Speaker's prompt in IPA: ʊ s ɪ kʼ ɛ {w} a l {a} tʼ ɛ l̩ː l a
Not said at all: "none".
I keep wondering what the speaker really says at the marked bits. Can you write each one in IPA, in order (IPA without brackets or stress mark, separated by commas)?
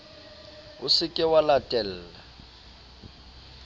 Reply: w, a